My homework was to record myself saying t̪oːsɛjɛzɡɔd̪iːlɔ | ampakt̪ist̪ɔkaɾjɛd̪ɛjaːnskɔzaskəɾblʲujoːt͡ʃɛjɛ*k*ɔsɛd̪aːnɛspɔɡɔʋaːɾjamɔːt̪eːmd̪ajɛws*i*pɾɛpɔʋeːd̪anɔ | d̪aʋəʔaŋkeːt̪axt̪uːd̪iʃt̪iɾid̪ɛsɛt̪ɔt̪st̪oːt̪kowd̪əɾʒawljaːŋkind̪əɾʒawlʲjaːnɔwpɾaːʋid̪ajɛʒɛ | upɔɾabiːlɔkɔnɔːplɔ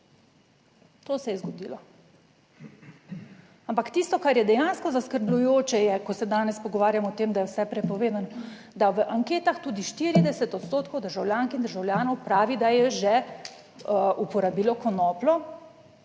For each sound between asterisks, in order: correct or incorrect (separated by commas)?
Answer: correct, incorrect